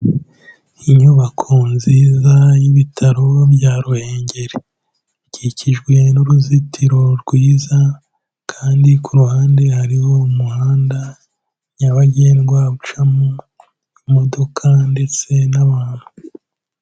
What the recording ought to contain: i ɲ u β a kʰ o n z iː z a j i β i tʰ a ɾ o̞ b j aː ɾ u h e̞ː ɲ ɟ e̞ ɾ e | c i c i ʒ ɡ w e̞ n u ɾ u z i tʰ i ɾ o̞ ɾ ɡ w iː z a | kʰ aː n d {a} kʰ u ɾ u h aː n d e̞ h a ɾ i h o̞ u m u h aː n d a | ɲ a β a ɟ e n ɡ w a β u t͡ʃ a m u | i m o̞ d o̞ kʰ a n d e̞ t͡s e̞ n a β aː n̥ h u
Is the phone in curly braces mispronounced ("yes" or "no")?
yes